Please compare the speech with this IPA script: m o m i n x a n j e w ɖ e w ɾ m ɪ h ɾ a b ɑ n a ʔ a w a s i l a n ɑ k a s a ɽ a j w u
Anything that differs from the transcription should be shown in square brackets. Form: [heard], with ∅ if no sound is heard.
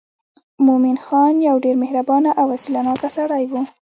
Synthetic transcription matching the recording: m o m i n x [ɑ] n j [a] w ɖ e [∅] ɾ m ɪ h ɾ a b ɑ n a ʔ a w a s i l a n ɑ k a s a ɽ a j w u

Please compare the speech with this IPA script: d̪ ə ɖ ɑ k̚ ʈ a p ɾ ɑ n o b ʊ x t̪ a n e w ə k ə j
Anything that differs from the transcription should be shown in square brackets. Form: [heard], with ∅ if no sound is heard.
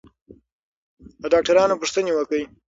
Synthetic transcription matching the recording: d̪ ə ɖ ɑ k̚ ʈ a [∅] ɾ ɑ n o [p] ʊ [ʂ] t̪ [ə] n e w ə k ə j

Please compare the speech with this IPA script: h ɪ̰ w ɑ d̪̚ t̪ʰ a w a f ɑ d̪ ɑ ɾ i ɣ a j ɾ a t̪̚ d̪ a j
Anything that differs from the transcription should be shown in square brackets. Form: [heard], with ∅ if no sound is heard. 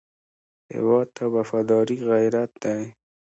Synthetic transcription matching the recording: h ɪ̰ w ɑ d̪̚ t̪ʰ a w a f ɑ d̪ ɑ ɾ i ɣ a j ɾ a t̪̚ d̪ a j

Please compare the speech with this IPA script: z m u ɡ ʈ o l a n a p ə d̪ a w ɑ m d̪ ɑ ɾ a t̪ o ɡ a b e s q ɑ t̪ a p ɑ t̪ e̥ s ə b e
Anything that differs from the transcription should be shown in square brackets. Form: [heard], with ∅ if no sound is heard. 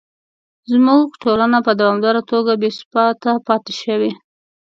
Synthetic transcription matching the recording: z m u ɡ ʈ o l a n a p ə d̪ a w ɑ m d̪ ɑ ɾ a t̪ o ɡ a b e s [p] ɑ t̪ a p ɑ t̪ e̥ [ʃ] ə [w] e

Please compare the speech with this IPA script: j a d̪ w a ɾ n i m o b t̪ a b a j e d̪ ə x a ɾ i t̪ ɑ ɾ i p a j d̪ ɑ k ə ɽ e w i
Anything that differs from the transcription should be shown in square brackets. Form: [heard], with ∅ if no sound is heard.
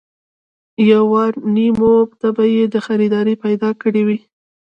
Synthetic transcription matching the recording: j a [∅] w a ɾ n i m o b t̪ a b a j e d̪ ə x a ɾ i [d̪] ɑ ɾ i p a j d̪ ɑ k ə ɽ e w i

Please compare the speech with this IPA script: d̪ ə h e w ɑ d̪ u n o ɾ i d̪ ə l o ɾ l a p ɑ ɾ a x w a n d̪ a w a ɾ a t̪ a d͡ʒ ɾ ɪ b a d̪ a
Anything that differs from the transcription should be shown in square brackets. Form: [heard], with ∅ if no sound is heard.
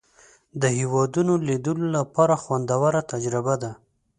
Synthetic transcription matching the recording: d̪ ə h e w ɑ d̪ u n o [l] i d̪ ə l o [∅] l a p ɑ ɾ a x w a n d̪ a w a ɾ a t̪ a d͡ʒ ɾ ɪ b a d̪ a

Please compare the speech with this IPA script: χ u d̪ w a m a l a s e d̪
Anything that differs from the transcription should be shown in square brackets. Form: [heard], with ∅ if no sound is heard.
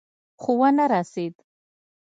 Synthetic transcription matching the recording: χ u [∅] w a [n] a [ɾ] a s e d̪

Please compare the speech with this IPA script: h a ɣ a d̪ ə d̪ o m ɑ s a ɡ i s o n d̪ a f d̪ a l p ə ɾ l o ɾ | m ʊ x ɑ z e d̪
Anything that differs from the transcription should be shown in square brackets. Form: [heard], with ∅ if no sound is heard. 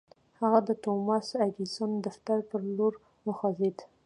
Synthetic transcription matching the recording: h a ɣ a d̪ ə [t̪] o m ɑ s a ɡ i s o n d̪ a f [t̪] a [ɾ] p ə ɾ l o ɾ | m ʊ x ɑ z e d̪

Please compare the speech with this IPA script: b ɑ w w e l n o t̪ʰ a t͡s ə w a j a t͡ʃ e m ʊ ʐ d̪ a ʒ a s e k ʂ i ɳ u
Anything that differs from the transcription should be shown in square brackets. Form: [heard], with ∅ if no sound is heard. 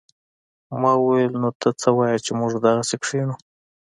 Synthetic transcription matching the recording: [m] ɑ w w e l n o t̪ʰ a t͡s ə w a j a t͡ʃ e m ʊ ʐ d̪ a [ɣ] a s e k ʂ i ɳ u

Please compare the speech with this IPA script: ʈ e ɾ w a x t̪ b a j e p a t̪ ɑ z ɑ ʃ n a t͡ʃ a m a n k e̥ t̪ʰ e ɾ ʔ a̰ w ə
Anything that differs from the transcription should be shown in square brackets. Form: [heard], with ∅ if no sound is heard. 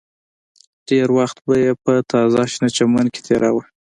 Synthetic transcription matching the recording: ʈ e ɾ w a x t̪ b a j e p [ə] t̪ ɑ z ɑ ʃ n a t͡ʃ a m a n k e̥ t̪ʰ e ɾ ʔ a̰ w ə

